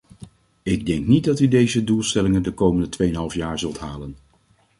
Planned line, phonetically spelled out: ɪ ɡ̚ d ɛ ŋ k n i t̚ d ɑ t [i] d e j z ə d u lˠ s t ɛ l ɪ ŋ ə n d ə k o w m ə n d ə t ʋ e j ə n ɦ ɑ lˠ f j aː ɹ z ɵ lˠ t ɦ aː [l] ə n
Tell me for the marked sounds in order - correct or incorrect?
incorrect: y, correct

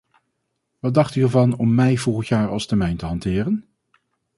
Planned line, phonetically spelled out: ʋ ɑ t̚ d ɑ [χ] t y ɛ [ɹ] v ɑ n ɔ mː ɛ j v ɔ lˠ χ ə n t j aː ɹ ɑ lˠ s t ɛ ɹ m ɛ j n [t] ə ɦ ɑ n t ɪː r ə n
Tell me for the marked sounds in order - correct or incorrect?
correct, correct, correct

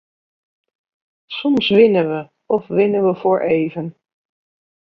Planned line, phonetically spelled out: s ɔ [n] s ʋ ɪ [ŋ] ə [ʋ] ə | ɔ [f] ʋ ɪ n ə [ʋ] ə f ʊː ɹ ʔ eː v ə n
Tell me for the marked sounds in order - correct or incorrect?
incorrect: m, incorrect: n, correct, correct, correct

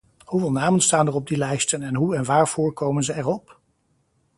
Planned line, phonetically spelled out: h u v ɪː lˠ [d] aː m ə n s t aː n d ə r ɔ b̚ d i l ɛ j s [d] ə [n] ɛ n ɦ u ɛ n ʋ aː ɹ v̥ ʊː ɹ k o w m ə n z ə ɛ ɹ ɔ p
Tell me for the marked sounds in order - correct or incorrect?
incorrect: n, incorrect: t, correct

